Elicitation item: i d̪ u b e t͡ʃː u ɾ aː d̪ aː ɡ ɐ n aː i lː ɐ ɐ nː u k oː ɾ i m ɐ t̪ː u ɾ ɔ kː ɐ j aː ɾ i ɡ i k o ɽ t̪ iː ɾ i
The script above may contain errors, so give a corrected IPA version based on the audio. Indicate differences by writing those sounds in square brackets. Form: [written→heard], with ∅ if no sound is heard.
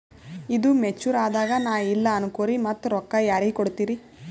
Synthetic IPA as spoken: i d̪ u [b→m] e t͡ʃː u ɾ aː d̪ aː ɡ ɐ n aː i lː ɐ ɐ [nː→n] u k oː ɾ i m ɐ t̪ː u ɾ ɔ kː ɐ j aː ɾ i ɡ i k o ɽ t̪ iː ɾ i